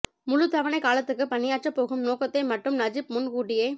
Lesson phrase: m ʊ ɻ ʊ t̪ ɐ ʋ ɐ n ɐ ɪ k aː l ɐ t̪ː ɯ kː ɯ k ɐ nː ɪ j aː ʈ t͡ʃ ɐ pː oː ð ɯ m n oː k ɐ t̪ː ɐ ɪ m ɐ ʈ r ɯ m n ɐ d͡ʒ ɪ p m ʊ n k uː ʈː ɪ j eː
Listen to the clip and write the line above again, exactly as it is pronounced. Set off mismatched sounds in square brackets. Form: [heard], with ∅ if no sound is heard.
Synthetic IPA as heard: m ʊ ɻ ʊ t̪ ɐ ʋ ɐ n ɐ ɪ k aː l ɐ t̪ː ɯ kː ɯ [p] ɐ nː ɪ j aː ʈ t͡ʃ ɐ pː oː [ɣ] ɯ m n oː k ɐ t̪ː ɐ ɪ m ɐ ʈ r ɯ m n ɐ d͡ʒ ɪ p m ʊ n k uː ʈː ɪ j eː